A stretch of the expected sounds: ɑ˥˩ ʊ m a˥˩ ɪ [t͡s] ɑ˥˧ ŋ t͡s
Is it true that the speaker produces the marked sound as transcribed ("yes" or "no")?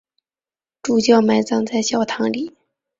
yes